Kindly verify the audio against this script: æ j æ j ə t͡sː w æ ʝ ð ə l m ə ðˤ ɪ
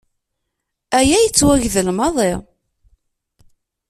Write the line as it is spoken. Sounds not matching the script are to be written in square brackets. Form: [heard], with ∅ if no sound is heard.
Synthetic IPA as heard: æ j æ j ə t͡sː w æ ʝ ð ə l m [ɑ] ðˤ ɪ